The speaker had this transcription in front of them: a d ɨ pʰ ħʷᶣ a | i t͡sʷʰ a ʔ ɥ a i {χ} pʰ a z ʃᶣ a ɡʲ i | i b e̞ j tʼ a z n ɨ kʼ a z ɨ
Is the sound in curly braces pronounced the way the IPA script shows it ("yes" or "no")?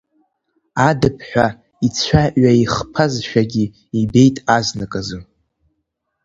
yes